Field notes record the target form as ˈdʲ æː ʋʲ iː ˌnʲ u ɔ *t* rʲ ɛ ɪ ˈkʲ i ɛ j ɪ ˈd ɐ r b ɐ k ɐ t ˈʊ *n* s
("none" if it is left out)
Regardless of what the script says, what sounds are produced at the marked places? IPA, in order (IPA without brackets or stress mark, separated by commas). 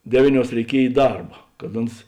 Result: s, n